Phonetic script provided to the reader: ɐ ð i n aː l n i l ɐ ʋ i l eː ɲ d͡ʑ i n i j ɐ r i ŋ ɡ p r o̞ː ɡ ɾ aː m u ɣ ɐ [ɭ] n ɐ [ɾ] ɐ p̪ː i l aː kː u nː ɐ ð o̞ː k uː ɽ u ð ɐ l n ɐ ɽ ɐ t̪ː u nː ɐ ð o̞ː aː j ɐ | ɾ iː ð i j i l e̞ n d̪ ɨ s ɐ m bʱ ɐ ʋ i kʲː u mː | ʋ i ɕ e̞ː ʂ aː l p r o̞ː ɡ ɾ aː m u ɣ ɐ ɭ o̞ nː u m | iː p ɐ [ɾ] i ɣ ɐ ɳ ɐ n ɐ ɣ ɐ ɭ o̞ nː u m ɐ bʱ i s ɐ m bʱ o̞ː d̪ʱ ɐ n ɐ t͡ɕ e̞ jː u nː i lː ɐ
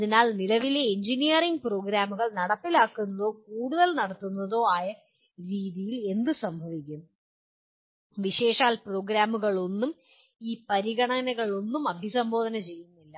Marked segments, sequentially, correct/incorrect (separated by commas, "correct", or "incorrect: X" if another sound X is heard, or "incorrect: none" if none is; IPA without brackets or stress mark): correct, incorrect: ɽ, correct